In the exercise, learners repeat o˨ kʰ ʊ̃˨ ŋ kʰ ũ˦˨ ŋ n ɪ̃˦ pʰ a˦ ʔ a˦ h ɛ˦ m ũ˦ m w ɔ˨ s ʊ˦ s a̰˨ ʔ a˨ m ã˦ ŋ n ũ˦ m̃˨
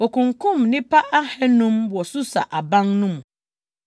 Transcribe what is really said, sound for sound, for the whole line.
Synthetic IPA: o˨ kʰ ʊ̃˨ ŋ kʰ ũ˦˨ m n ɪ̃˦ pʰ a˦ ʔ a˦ h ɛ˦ n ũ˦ m w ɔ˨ s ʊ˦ s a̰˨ ʔ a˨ b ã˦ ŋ n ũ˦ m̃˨